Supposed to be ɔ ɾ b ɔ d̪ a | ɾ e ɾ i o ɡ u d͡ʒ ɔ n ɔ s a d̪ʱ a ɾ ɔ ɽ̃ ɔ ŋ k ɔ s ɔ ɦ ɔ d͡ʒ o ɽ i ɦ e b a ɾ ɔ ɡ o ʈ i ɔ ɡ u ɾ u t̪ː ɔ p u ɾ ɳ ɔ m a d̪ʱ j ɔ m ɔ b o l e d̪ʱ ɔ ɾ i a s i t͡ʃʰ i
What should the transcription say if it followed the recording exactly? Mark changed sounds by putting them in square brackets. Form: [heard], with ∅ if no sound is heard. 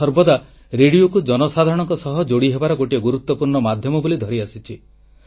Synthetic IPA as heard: ɔ ɾ b ɔ d̪ a | ɾ e [ɽ] i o [k] u d͡ʒ ɔ n ɔ s a d̪ʱ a ɾ ɔ ɽ̃ ɔ ŋ k ɔ s ɔ ɦ ɔ d͡ʒ o ɽ i ɦ e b a ɾ ɔ ɡ o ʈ i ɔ ɡ u ɾ u t̪ː ɔ p u ɾ ɳ ɔ m a d̪ʱ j ɔ m ɔ b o l [i] d̪ʱ ɔ ɾ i a s i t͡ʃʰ i